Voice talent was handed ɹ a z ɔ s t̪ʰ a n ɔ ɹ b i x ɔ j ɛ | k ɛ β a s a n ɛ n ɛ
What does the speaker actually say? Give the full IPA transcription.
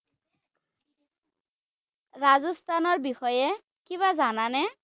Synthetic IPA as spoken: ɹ a z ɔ s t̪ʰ a n ɔ ɹ b i x ɔ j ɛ | k i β a z a n a n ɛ